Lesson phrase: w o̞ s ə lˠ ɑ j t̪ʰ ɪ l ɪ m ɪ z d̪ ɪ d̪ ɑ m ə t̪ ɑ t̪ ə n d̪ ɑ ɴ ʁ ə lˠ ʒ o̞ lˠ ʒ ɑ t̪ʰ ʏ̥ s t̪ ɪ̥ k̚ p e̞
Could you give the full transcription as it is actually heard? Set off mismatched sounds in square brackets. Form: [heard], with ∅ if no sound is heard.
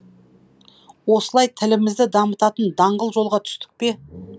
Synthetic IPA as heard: w o̞ s ə lˠ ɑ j t̪ʰ ɪ l ɪ m ɪ z d̪ ɪ d̪ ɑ m ə t̪ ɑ t̪ ə n d̪ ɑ ɴ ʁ ə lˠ ʒ o̞ lˠ [ʁ] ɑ t̪ʰ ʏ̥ s t̪ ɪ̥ k̚ p e̞